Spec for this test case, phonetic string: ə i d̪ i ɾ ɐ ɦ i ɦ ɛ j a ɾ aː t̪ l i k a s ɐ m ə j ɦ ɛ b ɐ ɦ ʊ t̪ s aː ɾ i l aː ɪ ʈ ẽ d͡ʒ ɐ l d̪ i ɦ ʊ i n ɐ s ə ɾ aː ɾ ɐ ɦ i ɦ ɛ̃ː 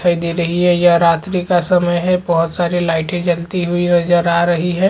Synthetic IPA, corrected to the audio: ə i d̪ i ɾ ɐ ɦ i ɦ ɛ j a ɾ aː t̪ ɾ i k a s ɐ m ə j ɦ ɛ b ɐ ɦ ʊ t̪ s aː ɾ i l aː ɪ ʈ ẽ d͡ʒ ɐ l t̪ i ɦ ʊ i n ɐ z ə ɾ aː ɾ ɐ ɦ i ɦ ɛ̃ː